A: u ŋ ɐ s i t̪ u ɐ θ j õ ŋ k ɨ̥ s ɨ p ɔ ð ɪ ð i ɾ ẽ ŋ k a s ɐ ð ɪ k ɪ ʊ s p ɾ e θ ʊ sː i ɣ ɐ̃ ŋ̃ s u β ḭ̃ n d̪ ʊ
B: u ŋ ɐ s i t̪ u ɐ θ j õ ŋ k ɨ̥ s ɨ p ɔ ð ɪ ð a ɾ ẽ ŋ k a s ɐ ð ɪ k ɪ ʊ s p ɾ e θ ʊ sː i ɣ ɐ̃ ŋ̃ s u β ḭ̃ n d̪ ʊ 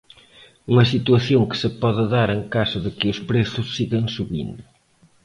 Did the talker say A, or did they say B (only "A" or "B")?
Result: B